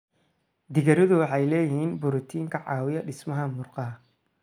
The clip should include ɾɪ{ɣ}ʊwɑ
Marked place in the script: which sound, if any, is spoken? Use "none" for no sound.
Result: ð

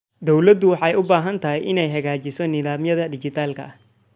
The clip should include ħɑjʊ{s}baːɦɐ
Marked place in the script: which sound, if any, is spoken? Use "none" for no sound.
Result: none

